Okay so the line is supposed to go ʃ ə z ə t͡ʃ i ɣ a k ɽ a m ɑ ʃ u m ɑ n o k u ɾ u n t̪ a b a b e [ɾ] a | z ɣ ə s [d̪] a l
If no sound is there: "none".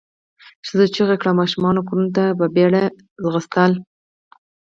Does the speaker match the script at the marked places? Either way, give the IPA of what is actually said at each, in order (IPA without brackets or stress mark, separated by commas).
ɽ, t̪